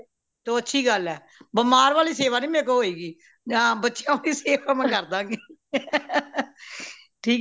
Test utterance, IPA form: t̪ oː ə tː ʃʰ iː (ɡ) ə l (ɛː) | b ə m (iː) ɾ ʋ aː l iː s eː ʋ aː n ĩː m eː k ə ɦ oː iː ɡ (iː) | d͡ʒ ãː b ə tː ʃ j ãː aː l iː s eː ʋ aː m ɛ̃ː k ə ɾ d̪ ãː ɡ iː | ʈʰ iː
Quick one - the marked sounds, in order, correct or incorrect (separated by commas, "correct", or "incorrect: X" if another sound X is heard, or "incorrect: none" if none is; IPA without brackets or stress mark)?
correct, correct, incorrect: aː, correct